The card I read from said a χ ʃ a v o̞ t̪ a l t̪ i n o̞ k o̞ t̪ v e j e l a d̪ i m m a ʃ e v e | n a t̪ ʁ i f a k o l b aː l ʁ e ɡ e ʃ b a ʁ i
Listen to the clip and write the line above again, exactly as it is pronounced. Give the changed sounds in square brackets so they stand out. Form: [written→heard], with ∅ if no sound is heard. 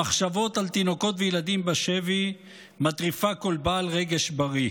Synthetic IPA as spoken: a χ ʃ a v o̞ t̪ a l t̪ i n o̞ k o̞ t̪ v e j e l a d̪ i m [m→b] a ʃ e v [e→i] | [n→m] a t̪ ʁ i f a k o l b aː l ʁ e ɡ e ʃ b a ʁ i

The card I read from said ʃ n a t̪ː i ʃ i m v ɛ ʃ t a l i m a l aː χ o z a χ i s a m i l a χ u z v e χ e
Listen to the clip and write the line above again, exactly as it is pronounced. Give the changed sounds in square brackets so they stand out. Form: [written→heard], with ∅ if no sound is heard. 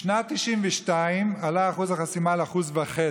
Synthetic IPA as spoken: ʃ n a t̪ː i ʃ i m v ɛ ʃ t a [l→∅] i m a l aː χ [o→u] z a χ [i→a] s [a→i] m [i→a] l a χ u z v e χ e

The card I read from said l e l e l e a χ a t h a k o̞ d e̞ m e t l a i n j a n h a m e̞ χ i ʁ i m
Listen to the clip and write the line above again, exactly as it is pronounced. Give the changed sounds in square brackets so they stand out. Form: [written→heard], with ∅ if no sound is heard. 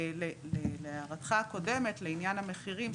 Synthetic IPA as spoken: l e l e l e a [χ→ʁ] a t [h→χ] a k o̞ d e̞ m e t l [a→e] i n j a n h a m e̞ χ i ʁ i m

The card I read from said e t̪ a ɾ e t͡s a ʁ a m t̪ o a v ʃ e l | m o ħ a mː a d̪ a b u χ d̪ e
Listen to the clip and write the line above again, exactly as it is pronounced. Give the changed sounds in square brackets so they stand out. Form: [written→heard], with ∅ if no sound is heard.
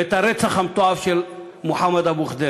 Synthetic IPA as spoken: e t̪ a ɾ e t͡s a [ʁ→χ] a m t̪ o a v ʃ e l | m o ħ a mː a d̪ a b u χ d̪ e

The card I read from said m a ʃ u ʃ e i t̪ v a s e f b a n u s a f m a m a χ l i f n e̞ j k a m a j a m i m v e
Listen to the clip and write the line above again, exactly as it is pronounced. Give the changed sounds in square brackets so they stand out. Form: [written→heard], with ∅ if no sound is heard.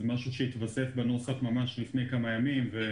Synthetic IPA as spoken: m a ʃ u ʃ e i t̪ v a s e f b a n [u→o] s a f m a m a [χ→ʃ] l i f n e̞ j k a m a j a m i m v e

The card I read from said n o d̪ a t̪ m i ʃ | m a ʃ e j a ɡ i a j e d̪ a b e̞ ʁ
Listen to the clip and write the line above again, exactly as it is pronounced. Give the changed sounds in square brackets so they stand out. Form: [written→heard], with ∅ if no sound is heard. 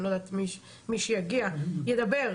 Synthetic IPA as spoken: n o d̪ a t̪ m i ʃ | m [a→i] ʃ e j a ɡ i a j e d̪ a b e̞ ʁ

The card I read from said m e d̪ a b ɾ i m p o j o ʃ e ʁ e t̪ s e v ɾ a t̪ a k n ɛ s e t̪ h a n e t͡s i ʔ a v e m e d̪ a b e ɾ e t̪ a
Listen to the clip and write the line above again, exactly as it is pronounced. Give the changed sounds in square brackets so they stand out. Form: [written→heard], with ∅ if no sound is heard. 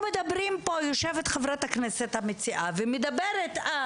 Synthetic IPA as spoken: m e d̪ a b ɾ i m p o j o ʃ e [ʁ→v] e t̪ [s→χ] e v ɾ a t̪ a k n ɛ s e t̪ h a [n→m] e t͡s i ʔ a v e m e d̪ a b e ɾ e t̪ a

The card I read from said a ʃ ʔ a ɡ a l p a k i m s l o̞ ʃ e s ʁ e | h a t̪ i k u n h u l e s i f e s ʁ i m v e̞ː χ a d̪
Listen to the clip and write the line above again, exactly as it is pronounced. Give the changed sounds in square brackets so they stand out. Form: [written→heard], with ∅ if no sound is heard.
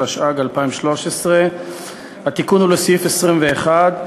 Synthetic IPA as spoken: a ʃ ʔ a ɡ a l p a [k→∅] i m [s→ʃ] l o̞ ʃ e s ʁ e | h a t̪ i k u n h u l e s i f e s ʁ i m v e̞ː χ a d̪

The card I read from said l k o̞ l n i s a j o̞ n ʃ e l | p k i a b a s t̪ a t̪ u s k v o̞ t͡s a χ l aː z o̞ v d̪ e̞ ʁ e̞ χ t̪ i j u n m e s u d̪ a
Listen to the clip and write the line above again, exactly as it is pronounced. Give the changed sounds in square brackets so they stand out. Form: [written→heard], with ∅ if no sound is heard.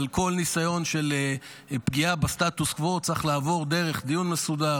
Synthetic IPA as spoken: l k o̞ l n i s a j o̞ n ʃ e l | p [k→ɡ] i a b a s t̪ a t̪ u s k v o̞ t͡s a χ l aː [z→v] o̞ [v→ʁ] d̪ e̞ ʁ e̞ χ [t̪→d̪] i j u n m e s u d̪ a

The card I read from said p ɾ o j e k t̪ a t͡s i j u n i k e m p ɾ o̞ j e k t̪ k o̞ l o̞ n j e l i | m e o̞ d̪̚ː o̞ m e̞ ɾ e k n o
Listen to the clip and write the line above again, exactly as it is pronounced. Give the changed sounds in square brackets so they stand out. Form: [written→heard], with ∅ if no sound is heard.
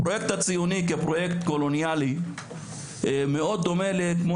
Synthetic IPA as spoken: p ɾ o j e k t̪ a t͡s i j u n i k e [m→∅] p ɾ o̞ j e k t̪ k o̞ l o̞ n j [e→a] l i | m e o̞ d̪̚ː o̞ m e̞ [ɾ→l] e k [n→m] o

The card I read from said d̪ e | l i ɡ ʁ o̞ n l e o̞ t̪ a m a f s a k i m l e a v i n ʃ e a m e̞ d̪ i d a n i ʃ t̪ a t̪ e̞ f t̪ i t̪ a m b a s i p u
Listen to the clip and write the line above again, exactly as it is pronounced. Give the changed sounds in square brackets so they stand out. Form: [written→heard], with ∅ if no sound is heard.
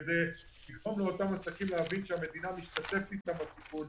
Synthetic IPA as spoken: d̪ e | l i ɡ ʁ o̞ [n→m] l e o̞ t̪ a m a [f→∅] s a k i m l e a v i n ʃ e a m e̞ d̪ i [d→n] a [n→m] i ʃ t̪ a t̪ e̞ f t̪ i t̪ a m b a s i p u

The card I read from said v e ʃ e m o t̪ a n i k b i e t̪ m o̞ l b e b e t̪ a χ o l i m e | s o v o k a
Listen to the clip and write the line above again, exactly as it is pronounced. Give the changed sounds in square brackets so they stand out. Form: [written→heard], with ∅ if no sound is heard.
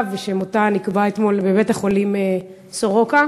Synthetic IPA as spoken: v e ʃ e m o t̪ a n i k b [i→a] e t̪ m o̞ l b e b e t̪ a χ o l i m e | s o [v→ʁ] o k a

